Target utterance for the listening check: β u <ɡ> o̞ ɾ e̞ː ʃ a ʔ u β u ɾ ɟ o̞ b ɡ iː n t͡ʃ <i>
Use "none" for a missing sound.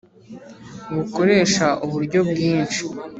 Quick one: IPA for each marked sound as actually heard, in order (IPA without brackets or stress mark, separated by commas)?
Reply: k, i